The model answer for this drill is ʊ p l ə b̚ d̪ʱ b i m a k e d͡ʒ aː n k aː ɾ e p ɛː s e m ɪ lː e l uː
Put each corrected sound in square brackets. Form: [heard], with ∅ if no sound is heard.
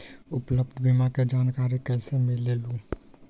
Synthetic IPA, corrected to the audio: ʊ p l ə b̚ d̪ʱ b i m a k e d͡ʒ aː n k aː ɾ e [k] ɛː s e m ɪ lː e l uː